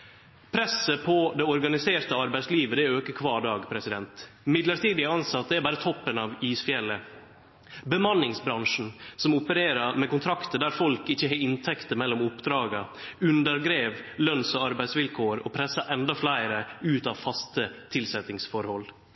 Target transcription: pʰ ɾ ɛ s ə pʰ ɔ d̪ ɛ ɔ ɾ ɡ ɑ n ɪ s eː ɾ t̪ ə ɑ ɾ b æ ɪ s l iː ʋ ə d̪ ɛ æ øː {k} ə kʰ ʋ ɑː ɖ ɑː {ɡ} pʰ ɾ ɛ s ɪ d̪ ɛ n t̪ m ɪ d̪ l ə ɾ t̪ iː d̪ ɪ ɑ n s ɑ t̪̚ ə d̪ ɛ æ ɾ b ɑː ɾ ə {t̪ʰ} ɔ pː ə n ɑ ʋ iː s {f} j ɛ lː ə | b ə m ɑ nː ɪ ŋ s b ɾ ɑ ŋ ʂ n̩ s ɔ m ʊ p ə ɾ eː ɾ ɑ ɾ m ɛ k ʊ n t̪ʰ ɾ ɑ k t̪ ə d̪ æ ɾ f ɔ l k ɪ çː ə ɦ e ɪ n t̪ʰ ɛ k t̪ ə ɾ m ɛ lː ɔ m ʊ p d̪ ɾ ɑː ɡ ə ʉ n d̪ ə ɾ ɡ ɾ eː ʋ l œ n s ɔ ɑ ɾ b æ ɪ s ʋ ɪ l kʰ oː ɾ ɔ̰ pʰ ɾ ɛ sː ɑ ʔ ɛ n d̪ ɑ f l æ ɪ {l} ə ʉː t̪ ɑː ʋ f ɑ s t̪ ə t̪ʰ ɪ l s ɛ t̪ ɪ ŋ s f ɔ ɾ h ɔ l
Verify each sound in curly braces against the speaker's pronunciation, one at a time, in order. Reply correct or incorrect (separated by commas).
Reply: correct, correct, correct, correct, incorrect